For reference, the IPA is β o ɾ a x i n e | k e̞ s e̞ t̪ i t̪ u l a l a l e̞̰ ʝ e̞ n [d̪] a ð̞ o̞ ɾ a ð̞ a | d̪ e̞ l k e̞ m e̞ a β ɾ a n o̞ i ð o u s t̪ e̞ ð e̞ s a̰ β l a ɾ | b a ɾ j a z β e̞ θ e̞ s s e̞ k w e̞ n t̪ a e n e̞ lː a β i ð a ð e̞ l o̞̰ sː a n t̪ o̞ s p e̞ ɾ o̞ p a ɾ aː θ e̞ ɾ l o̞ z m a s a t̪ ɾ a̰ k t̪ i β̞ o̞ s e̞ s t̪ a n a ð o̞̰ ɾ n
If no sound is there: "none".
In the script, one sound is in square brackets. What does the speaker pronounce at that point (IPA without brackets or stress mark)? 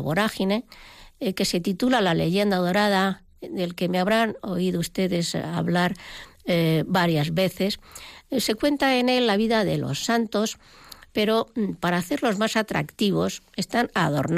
d̪